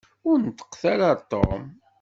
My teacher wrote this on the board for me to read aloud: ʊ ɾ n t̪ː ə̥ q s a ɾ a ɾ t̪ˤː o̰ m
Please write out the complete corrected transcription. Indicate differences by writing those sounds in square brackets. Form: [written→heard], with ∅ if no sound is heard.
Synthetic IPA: ʊ ɾ n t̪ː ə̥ q [s→θ] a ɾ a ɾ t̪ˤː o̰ m